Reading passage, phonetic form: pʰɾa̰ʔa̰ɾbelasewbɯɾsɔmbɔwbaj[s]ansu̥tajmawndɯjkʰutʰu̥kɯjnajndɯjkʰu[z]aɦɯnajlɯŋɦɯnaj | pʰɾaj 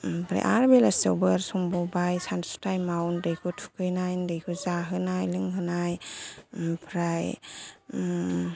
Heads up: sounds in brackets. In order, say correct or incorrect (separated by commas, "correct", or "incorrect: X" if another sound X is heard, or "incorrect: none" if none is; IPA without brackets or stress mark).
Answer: correct, correct